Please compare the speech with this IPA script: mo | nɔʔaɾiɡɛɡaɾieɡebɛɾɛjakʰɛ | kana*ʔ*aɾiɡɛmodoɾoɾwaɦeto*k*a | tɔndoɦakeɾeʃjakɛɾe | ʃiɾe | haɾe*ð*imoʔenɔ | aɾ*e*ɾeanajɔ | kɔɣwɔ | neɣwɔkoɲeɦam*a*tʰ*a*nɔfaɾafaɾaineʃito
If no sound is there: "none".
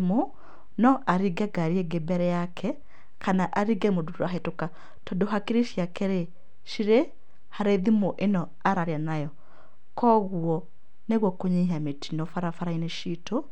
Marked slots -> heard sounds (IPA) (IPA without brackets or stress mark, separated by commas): ʔ, k, ð, a, e, i